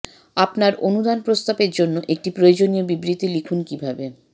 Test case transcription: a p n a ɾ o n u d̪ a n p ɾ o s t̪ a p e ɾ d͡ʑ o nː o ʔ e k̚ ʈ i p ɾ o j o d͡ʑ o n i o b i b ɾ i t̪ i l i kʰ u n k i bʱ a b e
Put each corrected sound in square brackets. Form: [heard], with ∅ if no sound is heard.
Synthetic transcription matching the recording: a p n a ɾ o n u d̪ a n p ɾ o s t̪ a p e ɾ d͡ʑ o nː o ʔ e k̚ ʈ i p ɾ o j o d͡ʑ o n i o b i b ɾ i t̪ i l i kʰ u n k i bʱ a b e